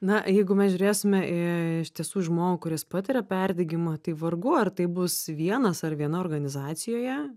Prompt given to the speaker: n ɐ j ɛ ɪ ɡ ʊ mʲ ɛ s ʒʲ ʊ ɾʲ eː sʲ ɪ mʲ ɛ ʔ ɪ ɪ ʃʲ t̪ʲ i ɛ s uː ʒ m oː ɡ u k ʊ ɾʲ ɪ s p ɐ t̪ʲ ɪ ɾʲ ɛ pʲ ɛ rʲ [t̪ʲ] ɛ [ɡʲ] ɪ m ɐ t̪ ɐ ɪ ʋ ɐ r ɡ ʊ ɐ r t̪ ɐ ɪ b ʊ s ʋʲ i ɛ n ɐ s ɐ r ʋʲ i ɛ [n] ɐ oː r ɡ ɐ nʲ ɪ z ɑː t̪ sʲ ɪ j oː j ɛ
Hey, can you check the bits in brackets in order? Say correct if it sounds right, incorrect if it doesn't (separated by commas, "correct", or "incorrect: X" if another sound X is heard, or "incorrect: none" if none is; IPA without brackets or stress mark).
incorrect: d̪ʲ, correct, correct